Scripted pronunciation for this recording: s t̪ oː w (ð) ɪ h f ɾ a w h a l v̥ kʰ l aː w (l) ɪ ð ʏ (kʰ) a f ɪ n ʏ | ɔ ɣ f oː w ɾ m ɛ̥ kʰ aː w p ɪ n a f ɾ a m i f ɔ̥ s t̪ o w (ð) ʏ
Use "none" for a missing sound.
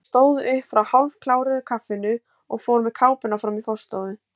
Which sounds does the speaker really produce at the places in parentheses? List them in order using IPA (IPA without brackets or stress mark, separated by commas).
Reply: ð, ɾ, kʰ, ð